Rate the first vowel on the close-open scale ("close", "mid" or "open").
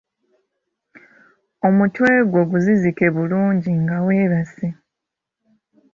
mid